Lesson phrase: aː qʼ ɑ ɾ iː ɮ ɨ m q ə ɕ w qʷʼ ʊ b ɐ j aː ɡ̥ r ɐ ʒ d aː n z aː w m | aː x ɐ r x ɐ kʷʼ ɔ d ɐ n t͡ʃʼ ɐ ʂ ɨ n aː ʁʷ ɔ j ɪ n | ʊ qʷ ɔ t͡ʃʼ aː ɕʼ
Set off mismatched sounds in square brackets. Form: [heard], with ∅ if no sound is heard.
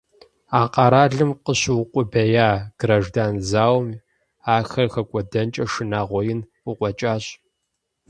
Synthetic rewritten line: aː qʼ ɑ ɾ [aː] ɮ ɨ m q ə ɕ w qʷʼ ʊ b ɐ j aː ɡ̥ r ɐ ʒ d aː n z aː w m | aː x ɐ r x ɐ kʷʼ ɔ d ɐ n t͡ʃʼ ɐ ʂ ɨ n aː ʁʷ ɔ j ɪ n | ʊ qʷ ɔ t͡ʃʼ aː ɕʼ